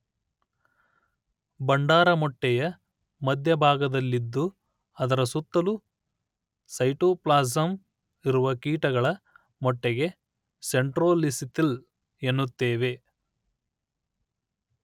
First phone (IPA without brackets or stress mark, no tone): b